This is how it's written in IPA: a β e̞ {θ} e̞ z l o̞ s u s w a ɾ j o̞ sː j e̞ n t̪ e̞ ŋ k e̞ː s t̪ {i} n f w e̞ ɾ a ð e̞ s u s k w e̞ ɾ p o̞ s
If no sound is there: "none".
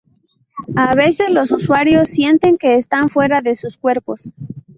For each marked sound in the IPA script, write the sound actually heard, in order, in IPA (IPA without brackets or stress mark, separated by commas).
s, a